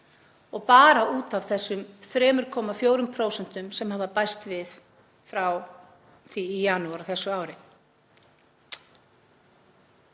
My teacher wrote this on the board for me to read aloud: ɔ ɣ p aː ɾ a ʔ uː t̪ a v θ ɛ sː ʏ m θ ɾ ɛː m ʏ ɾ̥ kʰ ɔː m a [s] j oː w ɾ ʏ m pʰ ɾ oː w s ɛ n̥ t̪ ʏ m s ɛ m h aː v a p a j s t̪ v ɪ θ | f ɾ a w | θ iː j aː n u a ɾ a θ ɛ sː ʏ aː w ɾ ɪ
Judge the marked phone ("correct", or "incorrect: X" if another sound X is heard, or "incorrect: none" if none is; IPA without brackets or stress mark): incorrect: f